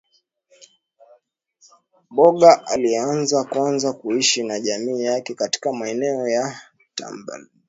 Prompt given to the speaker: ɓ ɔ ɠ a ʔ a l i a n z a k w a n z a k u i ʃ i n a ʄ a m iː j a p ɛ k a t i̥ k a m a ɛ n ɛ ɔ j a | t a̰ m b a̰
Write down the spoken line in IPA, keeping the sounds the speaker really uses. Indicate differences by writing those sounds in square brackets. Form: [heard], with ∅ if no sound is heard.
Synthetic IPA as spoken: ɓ ɔ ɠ a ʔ a l i a n z a k w a n z a k u i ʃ i n a ʄ a m iː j a [k] ɛ k a t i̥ k a m a ɛ n ɛ ɔ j a | t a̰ m b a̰